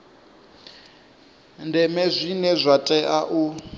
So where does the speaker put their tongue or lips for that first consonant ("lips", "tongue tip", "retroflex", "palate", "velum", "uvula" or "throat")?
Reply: tongue tip